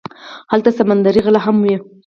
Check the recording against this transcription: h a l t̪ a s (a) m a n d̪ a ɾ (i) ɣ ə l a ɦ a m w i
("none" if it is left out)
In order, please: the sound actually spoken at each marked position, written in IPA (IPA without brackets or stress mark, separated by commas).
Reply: a, i